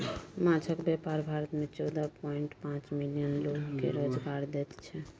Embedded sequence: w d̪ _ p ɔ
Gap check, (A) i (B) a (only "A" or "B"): B